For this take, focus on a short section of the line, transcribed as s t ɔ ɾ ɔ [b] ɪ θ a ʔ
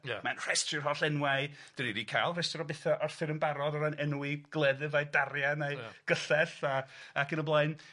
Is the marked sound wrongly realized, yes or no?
no